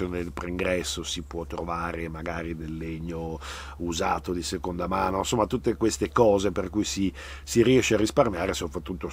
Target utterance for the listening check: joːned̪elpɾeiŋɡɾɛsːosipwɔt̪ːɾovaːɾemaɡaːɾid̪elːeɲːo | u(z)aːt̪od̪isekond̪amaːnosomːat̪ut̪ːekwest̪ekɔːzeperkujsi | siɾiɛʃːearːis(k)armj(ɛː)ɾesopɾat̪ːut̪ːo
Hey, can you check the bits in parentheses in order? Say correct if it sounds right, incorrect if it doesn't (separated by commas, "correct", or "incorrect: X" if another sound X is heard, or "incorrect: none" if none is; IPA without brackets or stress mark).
correct, incorrect: p, incorrect: aː